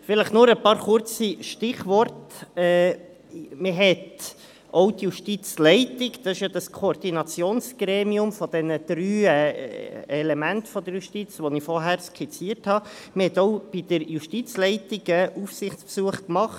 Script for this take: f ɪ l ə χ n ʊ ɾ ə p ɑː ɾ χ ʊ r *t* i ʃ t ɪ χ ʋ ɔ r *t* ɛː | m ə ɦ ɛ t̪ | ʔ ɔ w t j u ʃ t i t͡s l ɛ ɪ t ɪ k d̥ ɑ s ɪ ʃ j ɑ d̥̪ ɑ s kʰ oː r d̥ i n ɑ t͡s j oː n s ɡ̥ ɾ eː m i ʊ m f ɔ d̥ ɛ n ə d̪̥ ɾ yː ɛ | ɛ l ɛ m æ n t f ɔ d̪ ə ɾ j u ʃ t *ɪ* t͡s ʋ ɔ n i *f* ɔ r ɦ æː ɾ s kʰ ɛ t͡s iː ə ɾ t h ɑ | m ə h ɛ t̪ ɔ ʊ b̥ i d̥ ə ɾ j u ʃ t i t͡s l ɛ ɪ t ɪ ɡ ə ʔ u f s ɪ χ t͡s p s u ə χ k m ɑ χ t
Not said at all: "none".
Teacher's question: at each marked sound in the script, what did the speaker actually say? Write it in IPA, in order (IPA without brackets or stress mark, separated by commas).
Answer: t͡s, t, i, f